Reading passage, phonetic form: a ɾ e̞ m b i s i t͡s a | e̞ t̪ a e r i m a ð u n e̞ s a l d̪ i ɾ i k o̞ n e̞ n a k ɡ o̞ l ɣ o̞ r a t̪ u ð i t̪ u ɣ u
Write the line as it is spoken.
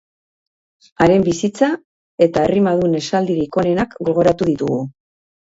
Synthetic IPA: a ɾ e̞ m b i s i t͡s a | e̞ t̪ a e r i m a ð u n e̞ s a l d̪ i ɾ i k o̞ n e̞ n a k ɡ o̞ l ɣ o̞ ɾ a t̪ u ð i t̪ u ɣ u